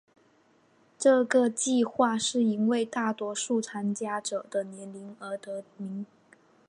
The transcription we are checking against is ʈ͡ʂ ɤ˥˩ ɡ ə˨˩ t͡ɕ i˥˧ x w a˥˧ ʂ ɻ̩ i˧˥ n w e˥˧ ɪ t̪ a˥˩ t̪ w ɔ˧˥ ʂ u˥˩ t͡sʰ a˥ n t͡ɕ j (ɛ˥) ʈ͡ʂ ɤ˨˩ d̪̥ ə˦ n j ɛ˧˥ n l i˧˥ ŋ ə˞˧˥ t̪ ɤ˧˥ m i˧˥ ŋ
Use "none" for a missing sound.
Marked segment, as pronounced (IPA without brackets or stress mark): a˥